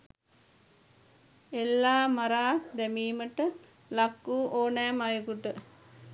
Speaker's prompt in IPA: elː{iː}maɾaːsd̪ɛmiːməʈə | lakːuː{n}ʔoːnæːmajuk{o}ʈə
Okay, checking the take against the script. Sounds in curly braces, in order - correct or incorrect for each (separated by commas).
incorrect, incorrect, incorrect